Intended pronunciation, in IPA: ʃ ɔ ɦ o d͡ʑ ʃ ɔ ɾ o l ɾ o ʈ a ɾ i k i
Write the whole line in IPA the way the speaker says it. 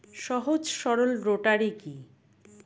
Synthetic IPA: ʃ ɔ ɦ o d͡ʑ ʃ ɔ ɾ o l ɾ o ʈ a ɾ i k i